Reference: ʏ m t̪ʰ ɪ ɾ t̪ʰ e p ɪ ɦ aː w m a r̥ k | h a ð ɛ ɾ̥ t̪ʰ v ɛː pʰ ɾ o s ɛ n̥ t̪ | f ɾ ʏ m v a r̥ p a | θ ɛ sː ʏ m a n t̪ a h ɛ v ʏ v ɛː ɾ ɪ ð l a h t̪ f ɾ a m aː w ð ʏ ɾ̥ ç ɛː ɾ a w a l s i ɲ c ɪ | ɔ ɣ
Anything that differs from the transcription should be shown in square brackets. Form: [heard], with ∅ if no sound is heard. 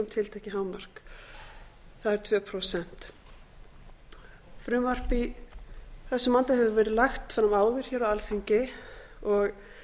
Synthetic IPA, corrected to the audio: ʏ m t̪ʰ ɪ [l] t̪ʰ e [c] ɪ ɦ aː w m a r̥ k | [θ] a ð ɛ ɾ̥ t̪ʰ v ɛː pʰ ɾ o s ɛ n̥ t̪ | f ɾ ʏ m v a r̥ p [i] | θ ɛ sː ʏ m a n t̪ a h ɛ v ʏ v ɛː ɾ ɪ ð l a [x] t̪ f ɾ a m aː w ð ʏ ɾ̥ ç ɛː ɾ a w a l [θ] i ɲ c ɪ | ɔ ɣ